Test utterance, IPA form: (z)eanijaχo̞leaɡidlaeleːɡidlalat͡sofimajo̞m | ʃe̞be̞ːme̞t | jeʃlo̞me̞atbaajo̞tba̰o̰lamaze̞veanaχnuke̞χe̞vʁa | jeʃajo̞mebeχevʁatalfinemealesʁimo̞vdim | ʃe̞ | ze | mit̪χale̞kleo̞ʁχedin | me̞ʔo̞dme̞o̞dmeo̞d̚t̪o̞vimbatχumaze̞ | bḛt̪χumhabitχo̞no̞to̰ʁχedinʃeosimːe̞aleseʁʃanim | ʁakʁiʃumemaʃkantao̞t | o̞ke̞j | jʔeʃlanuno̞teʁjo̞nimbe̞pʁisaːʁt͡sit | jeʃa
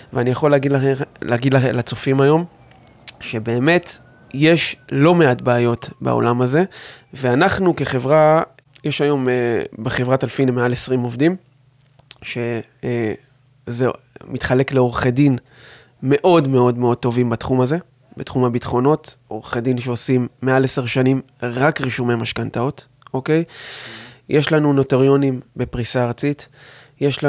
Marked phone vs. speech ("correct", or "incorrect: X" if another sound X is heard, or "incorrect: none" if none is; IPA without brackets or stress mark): incorrect: v